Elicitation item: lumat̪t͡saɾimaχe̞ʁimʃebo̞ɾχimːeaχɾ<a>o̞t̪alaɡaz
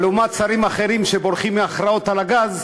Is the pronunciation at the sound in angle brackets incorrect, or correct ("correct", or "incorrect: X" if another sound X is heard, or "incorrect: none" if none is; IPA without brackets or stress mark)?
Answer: correct